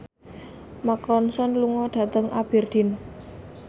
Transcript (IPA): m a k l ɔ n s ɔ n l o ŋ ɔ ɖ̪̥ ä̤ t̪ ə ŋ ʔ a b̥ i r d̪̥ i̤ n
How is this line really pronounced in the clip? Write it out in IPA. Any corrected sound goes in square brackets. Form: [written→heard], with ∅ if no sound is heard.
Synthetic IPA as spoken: m a k [l→ɾ] ɔ n s ɔ n l [o→u] ŋ ɔ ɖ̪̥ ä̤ t̪ ə ŋ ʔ a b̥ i r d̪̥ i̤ n